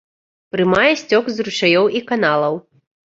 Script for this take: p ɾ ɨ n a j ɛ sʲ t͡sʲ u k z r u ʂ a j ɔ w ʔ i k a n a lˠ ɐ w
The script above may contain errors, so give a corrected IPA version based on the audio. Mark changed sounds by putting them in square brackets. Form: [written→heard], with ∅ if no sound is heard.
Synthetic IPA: p ɾ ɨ [n→m] a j ɛ sʲ t͡sʲ [u→ɔ] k z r u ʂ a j ɔ w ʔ i k a n a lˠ ɐ w